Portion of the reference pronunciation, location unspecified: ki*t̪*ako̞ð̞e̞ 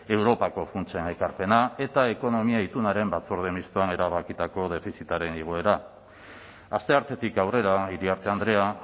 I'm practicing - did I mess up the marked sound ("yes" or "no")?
no